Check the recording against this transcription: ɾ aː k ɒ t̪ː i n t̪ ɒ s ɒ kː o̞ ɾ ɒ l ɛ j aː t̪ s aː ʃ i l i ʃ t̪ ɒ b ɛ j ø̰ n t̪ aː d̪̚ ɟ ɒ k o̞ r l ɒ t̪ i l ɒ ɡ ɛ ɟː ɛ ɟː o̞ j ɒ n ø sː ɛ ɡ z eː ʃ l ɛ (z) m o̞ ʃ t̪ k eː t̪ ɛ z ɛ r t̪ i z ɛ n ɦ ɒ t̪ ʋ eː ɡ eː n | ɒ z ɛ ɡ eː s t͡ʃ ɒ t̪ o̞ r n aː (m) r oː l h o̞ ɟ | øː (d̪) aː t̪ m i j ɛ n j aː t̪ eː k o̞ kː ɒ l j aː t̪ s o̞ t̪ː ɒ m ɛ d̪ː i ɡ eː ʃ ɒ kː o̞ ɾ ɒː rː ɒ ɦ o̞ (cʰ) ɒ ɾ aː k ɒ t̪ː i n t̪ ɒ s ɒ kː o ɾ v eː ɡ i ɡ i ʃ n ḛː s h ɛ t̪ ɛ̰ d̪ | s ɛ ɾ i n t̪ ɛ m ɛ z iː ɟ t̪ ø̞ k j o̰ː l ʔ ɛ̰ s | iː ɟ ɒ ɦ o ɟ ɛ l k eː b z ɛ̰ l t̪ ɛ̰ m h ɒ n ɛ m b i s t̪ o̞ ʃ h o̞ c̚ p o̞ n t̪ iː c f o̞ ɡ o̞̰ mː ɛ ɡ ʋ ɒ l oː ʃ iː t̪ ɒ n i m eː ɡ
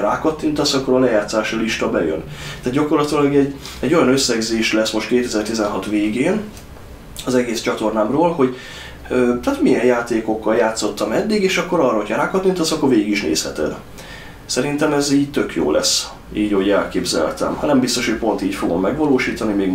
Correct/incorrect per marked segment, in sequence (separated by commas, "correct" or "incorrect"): incorrect, correct, incorrect, correct